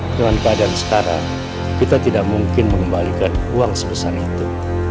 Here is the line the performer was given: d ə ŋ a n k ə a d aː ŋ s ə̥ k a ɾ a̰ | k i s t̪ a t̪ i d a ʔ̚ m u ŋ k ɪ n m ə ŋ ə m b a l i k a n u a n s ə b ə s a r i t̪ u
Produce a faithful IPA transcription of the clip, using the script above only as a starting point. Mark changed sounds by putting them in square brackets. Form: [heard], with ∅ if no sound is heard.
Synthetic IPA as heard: d ə ŋ a n k ə a d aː [n] s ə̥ k a ɾ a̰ | k i [∅] t̪ a t̪ i d a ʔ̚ m u ŋ k ɪ n m ə ŋ ə m b a l i k a n u a [ŋ] s ə b ə s a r i t̪ u